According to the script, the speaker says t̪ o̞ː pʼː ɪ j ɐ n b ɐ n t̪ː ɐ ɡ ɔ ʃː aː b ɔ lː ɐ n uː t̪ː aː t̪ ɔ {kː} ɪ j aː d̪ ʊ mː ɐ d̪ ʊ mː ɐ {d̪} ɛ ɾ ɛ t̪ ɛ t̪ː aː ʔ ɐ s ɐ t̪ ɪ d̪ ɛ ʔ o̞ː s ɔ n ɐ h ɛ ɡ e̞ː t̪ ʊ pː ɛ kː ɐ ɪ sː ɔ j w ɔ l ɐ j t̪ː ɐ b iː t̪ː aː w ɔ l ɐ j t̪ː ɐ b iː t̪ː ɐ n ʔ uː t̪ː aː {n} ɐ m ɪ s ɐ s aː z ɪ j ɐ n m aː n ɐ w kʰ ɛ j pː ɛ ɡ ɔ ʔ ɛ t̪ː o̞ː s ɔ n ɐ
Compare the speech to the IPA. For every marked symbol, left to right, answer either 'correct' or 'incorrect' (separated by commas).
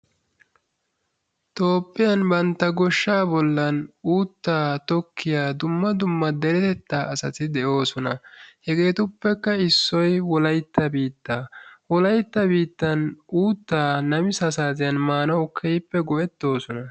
correct, correct, correct